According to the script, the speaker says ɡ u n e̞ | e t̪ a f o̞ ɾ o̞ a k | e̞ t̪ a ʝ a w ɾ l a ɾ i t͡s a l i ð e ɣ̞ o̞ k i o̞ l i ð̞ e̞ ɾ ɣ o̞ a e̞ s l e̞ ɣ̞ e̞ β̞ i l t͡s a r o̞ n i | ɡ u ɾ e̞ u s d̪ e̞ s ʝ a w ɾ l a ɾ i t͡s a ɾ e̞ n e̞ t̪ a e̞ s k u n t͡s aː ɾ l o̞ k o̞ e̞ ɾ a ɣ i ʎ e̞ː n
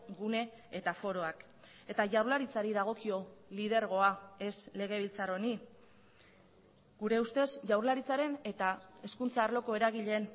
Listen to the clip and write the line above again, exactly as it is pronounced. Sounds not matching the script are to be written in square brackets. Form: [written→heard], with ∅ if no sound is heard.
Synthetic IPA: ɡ u n e̞ | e t̪ a f o̞ ɾ o̞ a k | e̞ t̪ a ʝ a w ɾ l a ɾ i t͡s a [l→ɾ] i ð [e→a] ɣ̞ o̞ k i o̞ l i ð̞ e̞ ɾ ɣ o̞ a e̞ s l e̞ ɣ̞ e̞ β̞ i l t͡s a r o̞ n i | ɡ u ɾ e̞ u s [d̪→t̪] e̞ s ʝ a w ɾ l a ɾ i t͡s a ɾ e̞ n e̞ t̪ a e̞ s k u n t͡s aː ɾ l o̞ k o̞ e̞ ɾ a ɣ i ʎ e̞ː n